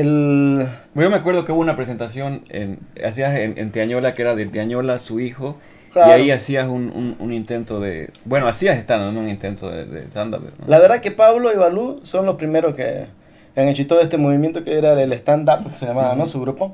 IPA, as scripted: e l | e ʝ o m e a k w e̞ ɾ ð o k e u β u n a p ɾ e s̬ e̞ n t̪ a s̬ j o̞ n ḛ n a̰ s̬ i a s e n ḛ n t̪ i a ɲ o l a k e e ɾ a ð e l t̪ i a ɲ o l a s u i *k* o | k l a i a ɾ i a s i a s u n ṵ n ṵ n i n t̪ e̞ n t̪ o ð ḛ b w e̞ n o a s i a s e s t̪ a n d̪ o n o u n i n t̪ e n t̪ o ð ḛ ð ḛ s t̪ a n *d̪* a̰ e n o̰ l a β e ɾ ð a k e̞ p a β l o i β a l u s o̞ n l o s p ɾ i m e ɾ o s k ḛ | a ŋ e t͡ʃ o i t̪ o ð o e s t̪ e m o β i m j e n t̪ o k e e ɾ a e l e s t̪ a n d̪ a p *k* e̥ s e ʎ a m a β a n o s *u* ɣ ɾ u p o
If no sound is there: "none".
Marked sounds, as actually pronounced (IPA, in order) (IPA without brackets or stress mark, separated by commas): x, d̪, k, u